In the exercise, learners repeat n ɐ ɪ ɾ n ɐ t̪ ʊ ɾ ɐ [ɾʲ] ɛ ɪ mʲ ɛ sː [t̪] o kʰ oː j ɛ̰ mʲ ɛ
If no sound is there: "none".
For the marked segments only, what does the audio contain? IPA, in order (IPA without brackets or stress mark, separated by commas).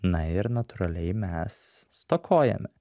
lʲ, t̪